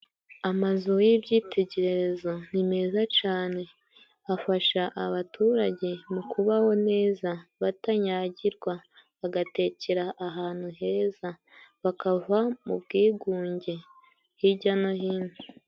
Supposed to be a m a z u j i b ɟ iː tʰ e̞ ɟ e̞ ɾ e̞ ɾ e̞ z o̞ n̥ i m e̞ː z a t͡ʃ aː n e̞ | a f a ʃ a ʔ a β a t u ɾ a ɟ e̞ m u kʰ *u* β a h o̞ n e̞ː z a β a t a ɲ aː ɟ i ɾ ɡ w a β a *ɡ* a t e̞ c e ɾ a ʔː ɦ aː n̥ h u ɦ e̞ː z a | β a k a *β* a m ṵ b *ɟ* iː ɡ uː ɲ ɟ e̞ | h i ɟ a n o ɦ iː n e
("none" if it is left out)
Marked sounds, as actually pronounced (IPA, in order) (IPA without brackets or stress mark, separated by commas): u, ɡ, v, ɡ